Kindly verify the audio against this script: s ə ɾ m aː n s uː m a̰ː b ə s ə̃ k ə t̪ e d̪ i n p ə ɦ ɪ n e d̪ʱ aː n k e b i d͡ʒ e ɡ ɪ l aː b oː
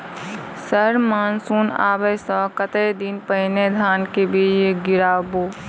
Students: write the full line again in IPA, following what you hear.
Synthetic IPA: s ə ɾ m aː n s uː n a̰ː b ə s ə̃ k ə t̪ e d̪ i n p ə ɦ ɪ n e d̪ʱ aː n k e b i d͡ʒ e ɡ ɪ ɾ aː b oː